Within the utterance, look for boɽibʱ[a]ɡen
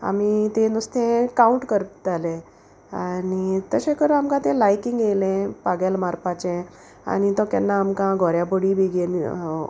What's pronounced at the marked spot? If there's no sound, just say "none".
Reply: i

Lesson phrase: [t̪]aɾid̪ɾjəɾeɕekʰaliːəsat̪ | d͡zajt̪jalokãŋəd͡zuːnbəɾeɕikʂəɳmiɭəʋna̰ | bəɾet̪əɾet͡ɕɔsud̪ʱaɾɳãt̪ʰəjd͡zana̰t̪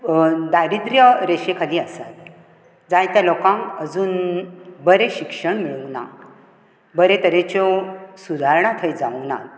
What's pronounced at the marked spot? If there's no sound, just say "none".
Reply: d̪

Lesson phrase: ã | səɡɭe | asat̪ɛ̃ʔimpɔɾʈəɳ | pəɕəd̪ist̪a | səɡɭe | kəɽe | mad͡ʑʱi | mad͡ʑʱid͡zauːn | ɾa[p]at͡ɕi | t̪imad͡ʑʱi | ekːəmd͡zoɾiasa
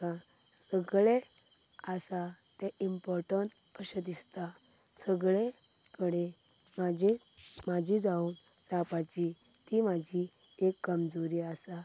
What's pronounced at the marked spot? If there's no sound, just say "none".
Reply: p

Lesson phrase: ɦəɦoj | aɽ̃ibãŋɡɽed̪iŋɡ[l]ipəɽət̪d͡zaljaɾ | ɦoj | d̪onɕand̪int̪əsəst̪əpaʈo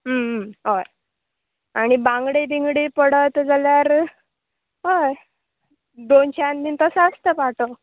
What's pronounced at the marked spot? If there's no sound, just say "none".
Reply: ɽ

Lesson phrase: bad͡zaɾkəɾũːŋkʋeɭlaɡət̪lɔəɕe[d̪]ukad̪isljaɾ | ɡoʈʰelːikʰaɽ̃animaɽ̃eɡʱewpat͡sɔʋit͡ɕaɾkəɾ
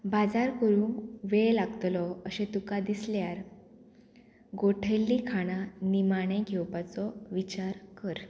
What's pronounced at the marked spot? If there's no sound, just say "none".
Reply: t̪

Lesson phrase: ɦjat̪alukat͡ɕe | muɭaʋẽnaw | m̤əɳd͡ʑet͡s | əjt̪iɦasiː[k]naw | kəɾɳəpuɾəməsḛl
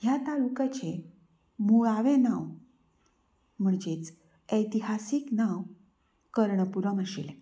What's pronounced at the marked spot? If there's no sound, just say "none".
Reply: k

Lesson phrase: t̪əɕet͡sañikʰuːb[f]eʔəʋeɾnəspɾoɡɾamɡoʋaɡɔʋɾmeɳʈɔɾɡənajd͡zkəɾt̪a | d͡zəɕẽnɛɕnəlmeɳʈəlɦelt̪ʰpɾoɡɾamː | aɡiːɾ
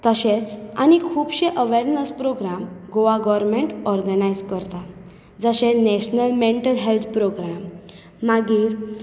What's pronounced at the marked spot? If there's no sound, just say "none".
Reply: ɕ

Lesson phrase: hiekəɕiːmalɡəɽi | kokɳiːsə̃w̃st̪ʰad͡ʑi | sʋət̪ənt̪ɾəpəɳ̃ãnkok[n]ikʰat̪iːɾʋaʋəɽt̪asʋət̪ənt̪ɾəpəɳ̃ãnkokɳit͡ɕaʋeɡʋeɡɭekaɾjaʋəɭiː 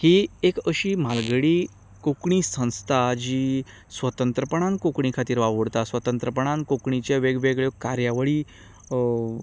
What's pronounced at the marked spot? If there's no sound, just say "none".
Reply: ɳ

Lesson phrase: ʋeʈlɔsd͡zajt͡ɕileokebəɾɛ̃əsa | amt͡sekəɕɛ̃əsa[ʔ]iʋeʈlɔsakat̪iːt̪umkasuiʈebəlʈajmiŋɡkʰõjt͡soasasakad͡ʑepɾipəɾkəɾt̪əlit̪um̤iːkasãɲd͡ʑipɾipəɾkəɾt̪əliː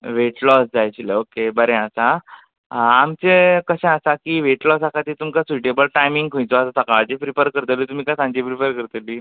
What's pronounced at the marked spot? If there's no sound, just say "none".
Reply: k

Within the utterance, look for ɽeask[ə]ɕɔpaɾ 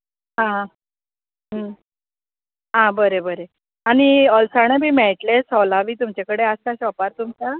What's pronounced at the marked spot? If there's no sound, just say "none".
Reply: a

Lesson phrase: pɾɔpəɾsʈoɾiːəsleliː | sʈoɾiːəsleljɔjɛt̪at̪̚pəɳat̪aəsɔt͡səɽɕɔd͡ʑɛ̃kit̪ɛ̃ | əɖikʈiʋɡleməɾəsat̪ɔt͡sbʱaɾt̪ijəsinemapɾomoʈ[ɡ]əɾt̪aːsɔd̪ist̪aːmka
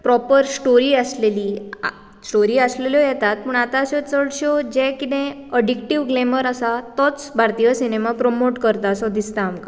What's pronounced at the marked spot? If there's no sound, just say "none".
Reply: k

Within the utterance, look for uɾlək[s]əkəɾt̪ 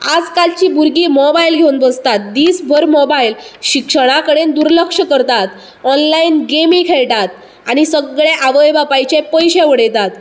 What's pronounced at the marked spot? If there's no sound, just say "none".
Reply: ʂ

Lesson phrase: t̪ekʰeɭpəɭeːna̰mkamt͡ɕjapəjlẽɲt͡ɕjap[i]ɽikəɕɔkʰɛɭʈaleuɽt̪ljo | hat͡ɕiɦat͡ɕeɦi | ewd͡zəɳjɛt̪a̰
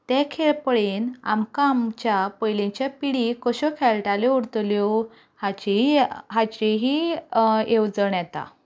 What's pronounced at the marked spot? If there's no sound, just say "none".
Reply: i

